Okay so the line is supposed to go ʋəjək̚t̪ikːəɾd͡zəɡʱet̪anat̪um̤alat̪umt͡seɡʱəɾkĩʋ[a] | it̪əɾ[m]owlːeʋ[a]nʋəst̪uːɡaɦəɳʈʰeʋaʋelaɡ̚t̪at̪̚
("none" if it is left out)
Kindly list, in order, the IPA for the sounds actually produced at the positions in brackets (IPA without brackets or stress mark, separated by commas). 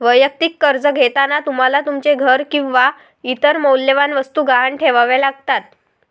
a, m, a